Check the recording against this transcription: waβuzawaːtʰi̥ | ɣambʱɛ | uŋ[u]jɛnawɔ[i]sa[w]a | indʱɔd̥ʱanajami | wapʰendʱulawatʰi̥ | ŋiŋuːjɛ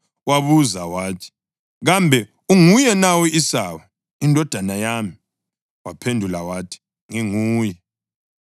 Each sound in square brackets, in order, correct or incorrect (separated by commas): correct, correct, correct